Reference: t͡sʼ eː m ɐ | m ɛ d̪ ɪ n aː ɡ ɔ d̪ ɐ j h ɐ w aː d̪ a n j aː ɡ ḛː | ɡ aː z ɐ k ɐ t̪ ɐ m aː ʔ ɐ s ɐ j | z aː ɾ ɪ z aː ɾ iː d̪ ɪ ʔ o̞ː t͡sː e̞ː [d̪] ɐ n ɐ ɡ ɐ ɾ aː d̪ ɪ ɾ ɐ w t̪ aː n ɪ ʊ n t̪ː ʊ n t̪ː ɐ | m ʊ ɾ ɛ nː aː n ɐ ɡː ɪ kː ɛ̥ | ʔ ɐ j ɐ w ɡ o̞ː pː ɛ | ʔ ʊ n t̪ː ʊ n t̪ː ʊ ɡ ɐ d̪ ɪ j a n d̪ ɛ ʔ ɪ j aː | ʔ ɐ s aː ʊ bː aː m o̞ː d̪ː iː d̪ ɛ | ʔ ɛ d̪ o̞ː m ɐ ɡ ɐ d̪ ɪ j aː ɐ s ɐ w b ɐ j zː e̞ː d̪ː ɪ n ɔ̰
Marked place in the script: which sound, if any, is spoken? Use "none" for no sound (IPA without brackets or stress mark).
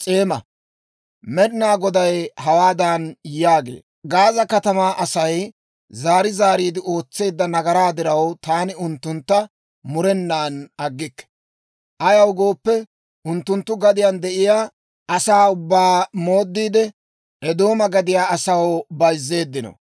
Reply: d̪ː